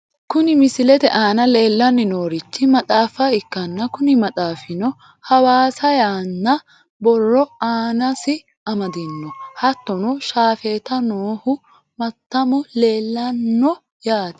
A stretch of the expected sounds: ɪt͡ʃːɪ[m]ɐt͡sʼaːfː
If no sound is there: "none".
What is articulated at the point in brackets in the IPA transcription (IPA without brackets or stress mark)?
m